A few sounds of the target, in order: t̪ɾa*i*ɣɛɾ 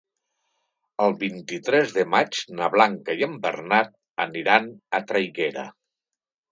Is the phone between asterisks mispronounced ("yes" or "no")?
yes